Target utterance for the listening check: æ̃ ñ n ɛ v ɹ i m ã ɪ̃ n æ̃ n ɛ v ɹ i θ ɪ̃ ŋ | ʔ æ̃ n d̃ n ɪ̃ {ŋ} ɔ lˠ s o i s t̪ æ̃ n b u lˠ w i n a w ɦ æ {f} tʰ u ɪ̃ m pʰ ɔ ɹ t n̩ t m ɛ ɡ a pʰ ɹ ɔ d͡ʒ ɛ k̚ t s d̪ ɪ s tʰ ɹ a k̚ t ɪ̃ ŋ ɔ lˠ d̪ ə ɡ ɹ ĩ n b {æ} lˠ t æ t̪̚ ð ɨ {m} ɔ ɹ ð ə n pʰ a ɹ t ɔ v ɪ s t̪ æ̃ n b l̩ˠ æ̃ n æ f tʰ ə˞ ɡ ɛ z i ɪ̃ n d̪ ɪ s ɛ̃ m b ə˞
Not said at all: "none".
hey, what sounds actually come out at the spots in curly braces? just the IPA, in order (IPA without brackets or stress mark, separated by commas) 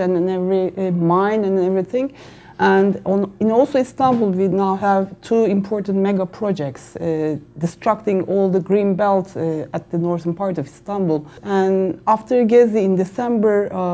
n, v, ɛ, n